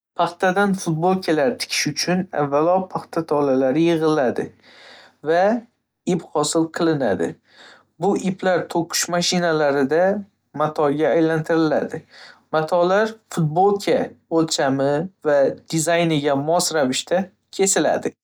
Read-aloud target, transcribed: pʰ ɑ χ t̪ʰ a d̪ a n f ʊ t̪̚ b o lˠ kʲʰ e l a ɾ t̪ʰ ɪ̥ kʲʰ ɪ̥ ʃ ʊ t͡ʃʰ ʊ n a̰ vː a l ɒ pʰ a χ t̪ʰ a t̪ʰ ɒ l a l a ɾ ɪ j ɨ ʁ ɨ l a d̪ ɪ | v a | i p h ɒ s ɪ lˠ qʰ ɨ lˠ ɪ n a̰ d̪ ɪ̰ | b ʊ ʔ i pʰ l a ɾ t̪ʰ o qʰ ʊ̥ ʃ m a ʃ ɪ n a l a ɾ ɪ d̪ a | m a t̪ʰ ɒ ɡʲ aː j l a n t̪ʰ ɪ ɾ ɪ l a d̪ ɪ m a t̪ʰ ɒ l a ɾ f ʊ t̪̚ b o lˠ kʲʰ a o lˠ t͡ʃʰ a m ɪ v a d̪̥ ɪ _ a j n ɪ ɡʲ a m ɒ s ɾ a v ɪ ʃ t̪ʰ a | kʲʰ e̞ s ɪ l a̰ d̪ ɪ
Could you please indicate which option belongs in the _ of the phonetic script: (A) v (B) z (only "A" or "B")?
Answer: B